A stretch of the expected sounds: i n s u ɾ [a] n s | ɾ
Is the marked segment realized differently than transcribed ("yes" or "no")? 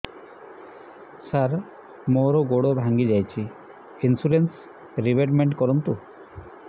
yes